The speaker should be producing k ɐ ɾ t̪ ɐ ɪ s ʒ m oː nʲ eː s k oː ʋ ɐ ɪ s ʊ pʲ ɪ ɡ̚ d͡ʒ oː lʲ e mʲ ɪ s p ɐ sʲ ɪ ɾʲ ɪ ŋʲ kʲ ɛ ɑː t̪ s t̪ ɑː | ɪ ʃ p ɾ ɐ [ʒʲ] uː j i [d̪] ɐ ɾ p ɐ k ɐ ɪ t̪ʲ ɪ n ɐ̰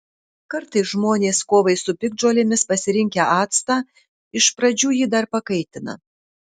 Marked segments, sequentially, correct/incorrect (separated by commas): incorrect, correct